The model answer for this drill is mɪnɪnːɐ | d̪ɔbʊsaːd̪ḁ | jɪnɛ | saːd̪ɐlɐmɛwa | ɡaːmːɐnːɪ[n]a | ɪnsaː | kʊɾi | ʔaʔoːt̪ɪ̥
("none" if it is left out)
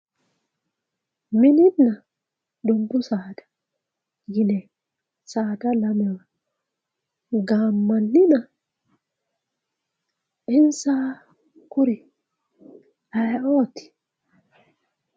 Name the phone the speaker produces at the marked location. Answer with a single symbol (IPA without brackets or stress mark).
n